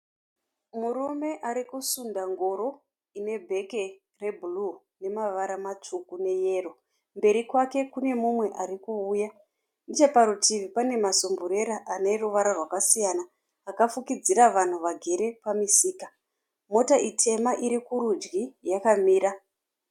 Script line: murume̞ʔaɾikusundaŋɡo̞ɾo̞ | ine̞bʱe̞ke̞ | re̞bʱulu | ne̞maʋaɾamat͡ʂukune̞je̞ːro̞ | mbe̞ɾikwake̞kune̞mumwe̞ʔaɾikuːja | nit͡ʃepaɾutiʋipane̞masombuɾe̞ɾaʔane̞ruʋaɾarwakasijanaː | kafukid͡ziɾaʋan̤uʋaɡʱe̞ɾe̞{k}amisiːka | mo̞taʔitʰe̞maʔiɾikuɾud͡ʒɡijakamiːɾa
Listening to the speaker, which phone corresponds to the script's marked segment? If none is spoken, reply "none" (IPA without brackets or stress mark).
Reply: p